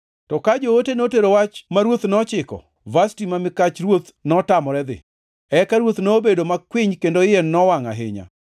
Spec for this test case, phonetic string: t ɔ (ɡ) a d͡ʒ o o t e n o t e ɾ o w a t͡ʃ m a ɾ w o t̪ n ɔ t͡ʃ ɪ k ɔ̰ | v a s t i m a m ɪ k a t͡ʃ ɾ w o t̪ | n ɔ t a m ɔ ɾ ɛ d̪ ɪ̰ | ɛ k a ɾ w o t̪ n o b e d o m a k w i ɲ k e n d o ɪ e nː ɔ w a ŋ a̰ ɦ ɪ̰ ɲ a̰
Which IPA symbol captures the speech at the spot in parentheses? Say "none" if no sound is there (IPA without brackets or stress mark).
k